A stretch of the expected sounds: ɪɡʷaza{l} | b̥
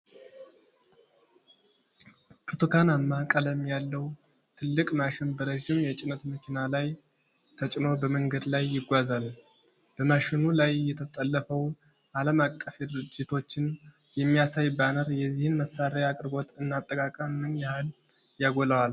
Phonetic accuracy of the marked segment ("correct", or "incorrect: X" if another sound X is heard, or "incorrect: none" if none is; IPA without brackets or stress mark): correct